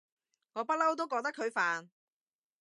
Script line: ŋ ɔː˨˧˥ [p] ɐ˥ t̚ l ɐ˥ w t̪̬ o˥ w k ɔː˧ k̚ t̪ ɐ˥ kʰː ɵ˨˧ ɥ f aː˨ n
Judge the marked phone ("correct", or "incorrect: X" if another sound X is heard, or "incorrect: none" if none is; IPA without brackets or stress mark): correct